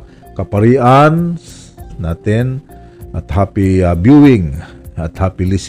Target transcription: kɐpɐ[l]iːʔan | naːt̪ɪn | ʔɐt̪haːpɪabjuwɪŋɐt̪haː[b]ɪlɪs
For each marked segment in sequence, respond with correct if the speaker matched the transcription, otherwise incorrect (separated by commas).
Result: incorrect, incorrect